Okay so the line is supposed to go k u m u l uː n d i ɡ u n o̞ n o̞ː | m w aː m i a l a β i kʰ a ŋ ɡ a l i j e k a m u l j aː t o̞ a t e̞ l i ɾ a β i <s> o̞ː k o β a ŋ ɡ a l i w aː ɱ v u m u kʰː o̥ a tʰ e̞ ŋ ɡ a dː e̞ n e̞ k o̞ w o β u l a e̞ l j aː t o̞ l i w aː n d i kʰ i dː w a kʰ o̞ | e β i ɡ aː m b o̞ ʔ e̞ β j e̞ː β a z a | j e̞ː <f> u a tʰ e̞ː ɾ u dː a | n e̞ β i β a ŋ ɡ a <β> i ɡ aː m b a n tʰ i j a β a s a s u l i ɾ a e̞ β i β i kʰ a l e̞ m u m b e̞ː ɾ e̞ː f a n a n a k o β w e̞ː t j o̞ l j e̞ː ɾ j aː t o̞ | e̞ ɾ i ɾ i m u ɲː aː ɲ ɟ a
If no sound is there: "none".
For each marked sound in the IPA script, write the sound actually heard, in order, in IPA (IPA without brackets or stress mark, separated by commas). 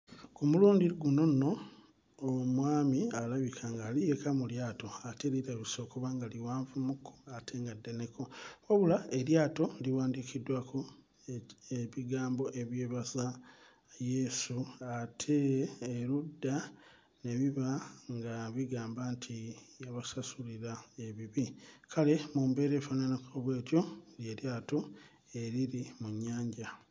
s, s, β